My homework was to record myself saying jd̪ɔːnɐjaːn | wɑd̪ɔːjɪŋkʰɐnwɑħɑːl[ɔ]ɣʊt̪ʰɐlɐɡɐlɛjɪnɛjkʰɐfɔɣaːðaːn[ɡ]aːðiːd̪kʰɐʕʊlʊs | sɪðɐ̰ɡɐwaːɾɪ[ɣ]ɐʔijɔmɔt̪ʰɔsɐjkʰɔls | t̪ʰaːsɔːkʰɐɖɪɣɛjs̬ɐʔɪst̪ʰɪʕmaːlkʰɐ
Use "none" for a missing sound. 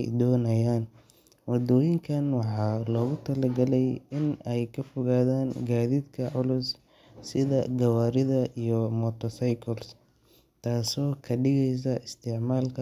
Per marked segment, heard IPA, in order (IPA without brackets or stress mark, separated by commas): ɔː, ɡ, ð